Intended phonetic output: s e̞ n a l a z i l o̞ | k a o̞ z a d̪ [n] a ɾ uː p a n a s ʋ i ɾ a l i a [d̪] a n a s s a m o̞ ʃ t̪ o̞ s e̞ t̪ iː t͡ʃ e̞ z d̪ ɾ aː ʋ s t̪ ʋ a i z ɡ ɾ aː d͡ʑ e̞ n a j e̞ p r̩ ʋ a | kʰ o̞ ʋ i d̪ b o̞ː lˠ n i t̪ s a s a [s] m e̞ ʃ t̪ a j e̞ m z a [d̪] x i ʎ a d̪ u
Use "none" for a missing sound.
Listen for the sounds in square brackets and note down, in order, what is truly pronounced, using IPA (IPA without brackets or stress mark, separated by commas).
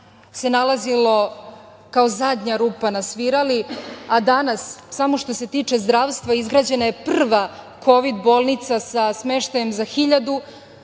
ɲ, d̪, s, none